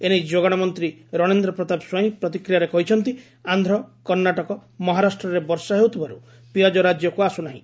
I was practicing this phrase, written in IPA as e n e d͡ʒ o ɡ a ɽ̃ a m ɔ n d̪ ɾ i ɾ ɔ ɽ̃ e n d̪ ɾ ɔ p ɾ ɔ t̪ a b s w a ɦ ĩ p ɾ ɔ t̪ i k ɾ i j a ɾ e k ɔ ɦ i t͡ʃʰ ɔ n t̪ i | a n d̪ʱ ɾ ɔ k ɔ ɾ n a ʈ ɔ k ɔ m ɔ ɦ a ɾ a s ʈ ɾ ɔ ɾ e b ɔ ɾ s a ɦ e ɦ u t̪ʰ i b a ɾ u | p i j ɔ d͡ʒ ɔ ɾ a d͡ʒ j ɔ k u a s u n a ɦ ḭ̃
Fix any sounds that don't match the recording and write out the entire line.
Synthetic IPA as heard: e n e d͡ʒ o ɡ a ɽ̃ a m ɔ n t̪ ɾ i ɾ ɔ ɽ̃ e n d̪ ɾ ɔ p ɾ ɔ t̪ a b s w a ɦ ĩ p ɾ ɔ t̪ i k ɾ i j a ɾ e k ɔ ɦ i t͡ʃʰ ɔ n t̪ i | a n d̪ʱ ɾ ɔ k ɔ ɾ n a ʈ ɔ k ɔ m ɔ ɦ a ɾ a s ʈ ɾ ɔ ɾ e b ɔ ɾ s a ɦ e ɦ u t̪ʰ i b a ɾ u | p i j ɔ d͡ʒ ɔ ɾ a d͡ʒ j ɔ k u a s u n a ɦ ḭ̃